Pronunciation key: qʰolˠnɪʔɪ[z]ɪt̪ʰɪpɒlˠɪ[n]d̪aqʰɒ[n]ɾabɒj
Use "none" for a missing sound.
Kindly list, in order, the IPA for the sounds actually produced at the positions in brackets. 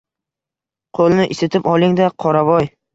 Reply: s, ŋ, none

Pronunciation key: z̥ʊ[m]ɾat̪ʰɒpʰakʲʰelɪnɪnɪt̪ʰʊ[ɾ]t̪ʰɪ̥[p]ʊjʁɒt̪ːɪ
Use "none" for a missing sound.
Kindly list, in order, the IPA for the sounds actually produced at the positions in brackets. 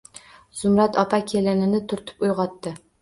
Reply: m, ɾ, p

